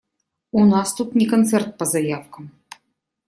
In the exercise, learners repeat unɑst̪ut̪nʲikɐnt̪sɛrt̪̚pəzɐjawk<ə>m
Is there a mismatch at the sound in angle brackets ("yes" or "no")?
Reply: no